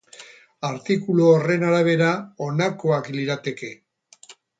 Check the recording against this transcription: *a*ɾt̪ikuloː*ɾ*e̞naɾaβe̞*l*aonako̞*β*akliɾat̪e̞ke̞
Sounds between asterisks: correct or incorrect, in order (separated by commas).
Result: correct, incorrect, incorrect, incorrect